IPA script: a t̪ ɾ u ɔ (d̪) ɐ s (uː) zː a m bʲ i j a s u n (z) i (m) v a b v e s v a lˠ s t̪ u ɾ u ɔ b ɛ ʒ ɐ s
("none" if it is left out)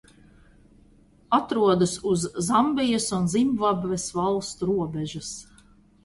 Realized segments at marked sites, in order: d̪, u, z, m

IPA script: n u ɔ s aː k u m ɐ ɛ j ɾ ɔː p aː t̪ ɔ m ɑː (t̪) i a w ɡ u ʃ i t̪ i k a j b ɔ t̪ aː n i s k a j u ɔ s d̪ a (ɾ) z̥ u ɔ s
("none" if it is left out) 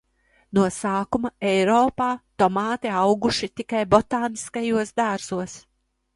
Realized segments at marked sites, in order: t̪, ɾ

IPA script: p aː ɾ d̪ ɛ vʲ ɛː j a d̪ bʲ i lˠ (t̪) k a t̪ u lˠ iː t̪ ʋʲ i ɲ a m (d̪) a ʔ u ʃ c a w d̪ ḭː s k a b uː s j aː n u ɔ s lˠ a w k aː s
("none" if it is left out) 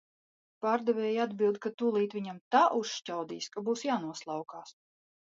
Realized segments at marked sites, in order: d̪, t̪

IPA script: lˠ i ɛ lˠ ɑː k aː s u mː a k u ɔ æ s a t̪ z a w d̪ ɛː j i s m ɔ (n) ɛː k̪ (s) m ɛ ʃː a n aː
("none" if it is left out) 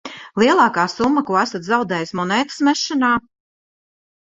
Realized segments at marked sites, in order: n, s

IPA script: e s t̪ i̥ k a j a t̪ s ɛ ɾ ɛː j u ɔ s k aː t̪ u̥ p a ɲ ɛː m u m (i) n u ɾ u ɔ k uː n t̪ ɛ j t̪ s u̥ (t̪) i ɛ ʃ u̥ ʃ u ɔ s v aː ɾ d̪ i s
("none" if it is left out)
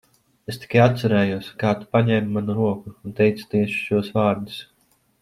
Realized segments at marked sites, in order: a, t̪

